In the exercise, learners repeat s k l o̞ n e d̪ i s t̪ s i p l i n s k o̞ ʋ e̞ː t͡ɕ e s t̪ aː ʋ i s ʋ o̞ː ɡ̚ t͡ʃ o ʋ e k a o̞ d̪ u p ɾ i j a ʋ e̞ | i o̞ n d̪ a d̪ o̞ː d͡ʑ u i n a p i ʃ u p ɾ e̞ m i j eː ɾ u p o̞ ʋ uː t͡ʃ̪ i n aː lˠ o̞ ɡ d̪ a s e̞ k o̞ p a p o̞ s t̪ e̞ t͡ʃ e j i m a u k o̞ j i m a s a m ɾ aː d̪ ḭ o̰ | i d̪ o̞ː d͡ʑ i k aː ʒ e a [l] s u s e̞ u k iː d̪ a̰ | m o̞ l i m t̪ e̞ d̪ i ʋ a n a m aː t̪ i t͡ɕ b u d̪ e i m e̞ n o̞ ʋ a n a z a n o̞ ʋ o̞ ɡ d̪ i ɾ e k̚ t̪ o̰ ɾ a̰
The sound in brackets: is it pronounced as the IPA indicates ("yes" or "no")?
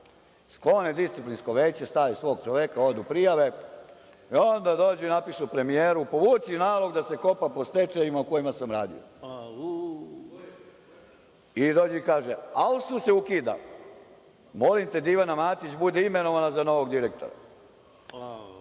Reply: yes